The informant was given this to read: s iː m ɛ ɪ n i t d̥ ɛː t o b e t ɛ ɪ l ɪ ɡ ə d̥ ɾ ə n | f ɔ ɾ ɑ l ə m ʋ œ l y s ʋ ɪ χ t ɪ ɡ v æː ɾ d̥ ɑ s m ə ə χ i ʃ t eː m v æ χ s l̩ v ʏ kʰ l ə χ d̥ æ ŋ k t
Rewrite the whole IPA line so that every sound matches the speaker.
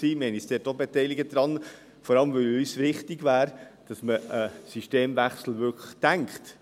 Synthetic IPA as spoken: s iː m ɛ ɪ n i s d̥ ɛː t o b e t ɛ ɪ l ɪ ɡ ə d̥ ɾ ɑ n | f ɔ ɾ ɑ l ə m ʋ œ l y s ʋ ɪ χ t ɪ ɡ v æː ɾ d̥ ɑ s m ə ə s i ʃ t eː m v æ χ s l̩ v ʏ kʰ l ə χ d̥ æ ŋ k t